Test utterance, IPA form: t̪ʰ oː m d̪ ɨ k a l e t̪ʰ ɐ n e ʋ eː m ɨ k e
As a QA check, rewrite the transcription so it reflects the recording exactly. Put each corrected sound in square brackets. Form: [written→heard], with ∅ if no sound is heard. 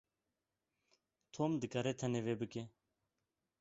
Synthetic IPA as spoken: t̪ʰ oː m d̪ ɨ k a [l→ɾ] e t̪ʰ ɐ n e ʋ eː [m→b] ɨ k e

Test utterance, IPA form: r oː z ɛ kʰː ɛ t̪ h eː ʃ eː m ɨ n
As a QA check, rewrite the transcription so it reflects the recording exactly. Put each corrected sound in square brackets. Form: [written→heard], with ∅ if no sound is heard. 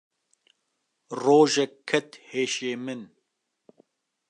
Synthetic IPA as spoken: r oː [z→ʒ] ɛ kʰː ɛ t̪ h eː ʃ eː m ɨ n

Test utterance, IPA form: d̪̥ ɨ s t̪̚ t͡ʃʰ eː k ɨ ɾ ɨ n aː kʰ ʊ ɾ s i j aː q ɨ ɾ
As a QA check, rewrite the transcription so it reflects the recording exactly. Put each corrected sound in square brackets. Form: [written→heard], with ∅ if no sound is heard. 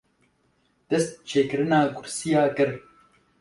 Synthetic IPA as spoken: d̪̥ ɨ s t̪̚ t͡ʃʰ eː k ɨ ɾ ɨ n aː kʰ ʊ ɾ s i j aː [q→k] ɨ ɾ

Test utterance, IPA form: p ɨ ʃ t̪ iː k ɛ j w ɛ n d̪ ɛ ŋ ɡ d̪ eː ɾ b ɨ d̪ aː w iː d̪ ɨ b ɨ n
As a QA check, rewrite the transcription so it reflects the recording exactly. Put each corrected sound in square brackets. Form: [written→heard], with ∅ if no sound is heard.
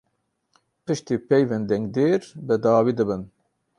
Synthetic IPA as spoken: p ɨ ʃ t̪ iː [k→p] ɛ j [w→v] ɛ n d̪ ɛ ŋ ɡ d̪ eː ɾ b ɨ d̪ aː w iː d̪ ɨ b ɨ n

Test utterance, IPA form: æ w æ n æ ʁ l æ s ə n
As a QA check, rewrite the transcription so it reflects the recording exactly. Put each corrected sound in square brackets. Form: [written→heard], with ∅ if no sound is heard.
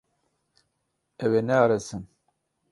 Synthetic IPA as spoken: æ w æ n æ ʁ [l→ɾ] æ s ə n

